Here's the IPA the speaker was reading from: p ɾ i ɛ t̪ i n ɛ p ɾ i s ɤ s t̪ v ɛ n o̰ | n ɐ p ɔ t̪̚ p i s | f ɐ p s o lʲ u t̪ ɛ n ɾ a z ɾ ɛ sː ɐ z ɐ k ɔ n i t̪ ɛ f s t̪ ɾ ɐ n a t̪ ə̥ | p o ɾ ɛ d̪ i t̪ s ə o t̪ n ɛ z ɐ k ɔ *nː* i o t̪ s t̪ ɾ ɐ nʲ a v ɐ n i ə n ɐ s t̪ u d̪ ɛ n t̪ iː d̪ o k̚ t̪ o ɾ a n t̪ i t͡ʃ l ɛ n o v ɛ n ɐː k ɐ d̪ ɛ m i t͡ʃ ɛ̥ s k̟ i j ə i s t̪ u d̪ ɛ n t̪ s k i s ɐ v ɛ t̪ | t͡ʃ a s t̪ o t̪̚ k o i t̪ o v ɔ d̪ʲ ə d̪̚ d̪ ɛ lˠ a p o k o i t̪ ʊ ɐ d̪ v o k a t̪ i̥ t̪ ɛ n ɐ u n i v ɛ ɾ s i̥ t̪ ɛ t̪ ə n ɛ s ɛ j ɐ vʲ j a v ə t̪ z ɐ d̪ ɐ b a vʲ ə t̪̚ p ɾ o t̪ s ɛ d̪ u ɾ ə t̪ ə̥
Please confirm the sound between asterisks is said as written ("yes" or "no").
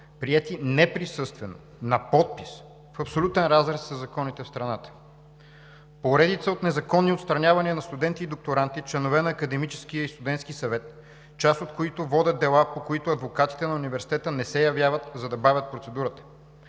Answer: yes